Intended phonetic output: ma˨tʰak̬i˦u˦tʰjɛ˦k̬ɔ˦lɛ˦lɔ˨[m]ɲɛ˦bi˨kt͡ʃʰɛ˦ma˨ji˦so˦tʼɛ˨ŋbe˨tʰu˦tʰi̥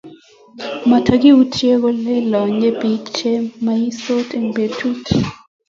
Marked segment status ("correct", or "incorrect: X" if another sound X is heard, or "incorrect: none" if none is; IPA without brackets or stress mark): incorrect: none